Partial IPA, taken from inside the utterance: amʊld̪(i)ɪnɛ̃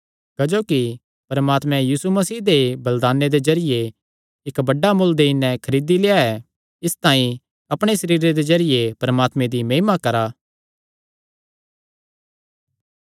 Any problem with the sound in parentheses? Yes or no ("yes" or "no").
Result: yes